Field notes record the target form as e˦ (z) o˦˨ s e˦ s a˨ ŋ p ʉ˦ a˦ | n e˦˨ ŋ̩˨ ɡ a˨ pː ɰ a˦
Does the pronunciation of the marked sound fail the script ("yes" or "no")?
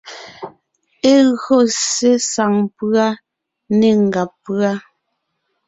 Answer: yes